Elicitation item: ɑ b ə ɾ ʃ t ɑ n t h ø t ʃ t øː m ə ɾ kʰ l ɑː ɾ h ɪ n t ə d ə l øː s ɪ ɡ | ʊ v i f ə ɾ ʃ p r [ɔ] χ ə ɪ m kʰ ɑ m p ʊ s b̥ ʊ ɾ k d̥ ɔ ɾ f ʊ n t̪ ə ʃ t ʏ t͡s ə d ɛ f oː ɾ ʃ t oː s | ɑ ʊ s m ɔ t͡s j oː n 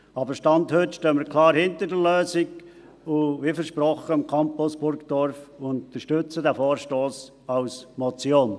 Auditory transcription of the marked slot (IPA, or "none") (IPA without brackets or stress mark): ɔ